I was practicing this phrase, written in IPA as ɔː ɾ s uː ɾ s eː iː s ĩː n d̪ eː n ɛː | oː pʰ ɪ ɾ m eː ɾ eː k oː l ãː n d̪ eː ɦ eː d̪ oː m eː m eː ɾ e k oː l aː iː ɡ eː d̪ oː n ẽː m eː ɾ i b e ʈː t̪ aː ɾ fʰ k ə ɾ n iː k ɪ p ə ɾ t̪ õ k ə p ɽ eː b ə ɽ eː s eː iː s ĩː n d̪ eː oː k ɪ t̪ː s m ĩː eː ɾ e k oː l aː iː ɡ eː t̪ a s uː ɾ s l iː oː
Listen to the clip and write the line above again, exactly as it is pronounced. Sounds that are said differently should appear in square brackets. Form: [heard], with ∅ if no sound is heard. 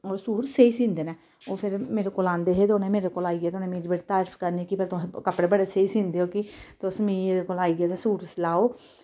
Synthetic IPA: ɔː ɾ s uː ɾ s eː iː s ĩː n d̪ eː n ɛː | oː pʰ ɪ ɾ m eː ɾ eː k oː l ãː n d̪ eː ɦ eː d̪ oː [n] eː m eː ɾ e k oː l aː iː ɡ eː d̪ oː n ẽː m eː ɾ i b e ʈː t̪ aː ɾ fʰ k ə ɾ n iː k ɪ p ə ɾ t̪ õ k ə p ɽ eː b ə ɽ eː s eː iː s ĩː n d̪ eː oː k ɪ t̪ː s m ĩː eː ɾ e k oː l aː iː ɡ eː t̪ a s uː ɾ s l [aː] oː